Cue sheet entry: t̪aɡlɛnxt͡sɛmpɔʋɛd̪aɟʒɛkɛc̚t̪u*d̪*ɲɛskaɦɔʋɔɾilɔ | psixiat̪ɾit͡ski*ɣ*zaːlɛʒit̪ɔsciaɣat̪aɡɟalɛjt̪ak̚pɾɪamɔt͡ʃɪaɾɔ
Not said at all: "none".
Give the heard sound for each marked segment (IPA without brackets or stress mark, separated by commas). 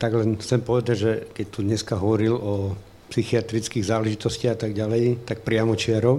d̪, ɣ